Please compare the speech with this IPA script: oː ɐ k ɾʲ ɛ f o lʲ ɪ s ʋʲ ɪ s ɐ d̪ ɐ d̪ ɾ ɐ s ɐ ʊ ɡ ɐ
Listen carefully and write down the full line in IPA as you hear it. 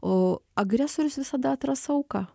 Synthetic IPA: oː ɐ ɡ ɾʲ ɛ s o ɾʲ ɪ s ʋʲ ɪ s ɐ d̪ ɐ t̪ ɾ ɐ s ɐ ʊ k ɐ